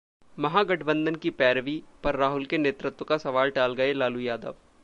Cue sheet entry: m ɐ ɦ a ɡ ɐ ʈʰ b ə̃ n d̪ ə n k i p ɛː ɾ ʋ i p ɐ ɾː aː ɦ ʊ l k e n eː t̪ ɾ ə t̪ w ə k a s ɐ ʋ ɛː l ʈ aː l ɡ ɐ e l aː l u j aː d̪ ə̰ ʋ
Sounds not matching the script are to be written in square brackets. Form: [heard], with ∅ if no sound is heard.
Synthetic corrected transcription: m ɐ ɦ a ɡ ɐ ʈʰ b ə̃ n d̪ ə n k i p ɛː ɾ ʋ i p ɐ ɾː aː ɦ ʊ l k e n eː t̪ ɾ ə t̪ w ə k a s ɐ ʋ [aː] l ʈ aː l ɡ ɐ e l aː l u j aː d̪ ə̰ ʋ